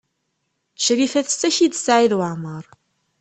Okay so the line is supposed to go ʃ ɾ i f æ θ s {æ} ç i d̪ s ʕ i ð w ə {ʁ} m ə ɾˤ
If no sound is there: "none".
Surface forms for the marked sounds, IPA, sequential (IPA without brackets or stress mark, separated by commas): æ, ʕ